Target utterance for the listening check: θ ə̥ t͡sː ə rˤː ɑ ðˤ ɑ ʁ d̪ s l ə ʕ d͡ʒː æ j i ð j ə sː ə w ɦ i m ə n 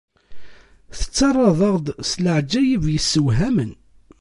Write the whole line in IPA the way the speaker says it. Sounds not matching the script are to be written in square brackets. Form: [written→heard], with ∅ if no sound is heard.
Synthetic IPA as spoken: θ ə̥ t͡sː [ə→ɑ] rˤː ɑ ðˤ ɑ ʁ d̪ s l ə ʕ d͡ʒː æ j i [ð→v] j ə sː ə w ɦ [i→æ] m ə n